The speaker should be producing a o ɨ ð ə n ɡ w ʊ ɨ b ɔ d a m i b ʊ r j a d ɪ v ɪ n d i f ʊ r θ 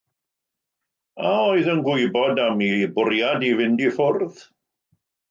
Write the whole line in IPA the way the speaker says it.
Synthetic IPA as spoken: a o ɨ ð ə n ɡ w ʊ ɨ b ɔ d a m i b ʊ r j a d i v ɪ n d i f ʊ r ð